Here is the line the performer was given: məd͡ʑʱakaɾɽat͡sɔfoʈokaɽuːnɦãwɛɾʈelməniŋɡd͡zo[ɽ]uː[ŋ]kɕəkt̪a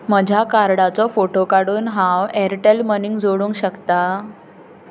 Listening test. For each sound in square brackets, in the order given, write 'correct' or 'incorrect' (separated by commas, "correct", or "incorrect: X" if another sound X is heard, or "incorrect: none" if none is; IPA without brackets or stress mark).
correct, correct